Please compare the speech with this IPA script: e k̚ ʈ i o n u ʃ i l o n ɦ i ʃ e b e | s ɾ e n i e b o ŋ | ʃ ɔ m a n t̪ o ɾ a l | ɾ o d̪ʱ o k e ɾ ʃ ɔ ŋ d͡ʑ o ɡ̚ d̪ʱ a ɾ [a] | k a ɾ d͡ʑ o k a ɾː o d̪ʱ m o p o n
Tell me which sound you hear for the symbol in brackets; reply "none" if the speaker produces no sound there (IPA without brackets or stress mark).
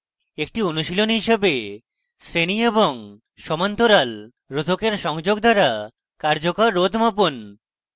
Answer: a